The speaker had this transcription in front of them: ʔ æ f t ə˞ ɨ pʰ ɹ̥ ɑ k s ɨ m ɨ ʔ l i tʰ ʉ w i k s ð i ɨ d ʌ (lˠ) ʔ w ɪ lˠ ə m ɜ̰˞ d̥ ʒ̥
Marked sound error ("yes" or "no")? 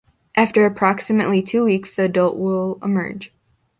no